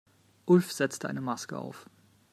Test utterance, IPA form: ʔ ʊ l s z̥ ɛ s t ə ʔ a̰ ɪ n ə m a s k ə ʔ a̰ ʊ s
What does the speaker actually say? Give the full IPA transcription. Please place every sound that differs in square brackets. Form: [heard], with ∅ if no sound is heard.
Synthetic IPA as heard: ʔ ʊ l [f] z̥ ɛ [t͡s] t ə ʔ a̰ ɪ n ə m a s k ə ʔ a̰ ʊ [f]